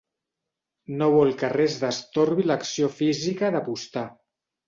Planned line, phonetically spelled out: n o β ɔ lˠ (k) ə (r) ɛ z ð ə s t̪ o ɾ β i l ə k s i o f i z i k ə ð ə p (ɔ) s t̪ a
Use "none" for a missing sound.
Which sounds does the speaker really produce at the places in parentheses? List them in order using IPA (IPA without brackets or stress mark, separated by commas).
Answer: k, r, u